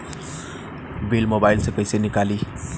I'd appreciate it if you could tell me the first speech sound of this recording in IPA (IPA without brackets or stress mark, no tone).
b